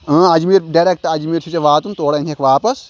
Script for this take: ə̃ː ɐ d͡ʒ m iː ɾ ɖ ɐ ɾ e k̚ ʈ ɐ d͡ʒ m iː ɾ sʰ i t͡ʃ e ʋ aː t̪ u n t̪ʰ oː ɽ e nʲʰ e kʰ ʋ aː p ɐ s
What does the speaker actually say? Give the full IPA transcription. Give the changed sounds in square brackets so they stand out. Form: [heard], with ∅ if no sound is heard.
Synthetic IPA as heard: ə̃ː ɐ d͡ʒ m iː ɾ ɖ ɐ ɾ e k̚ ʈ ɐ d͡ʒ m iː ɾ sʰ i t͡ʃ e ʋ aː t̪ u n [t̪] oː ɽ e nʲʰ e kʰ ʋ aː p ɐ s